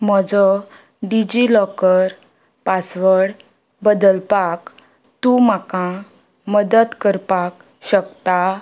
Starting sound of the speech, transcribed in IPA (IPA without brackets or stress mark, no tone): m